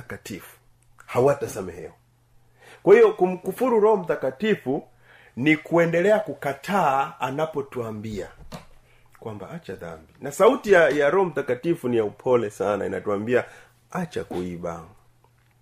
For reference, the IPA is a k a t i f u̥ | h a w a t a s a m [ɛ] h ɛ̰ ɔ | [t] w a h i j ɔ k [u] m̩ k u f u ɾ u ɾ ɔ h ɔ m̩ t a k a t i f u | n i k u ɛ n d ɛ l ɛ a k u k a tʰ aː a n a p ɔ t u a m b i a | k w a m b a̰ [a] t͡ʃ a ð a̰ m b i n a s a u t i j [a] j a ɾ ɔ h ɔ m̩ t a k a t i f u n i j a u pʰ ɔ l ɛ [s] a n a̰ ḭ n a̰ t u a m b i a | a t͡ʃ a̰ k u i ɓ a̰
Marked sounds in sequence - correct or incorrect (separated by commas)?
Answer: correct, incorrect, correct, correct, correct, correct